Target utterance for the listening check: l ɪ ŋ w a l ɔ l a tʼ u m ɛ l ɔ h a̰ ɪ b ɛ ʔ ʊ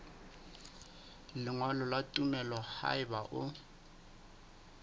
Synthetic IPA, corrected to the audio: l ɪ ŋ w a l ɔ l a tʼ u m ɛ l ɔ h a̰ ɪ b a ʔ ʊ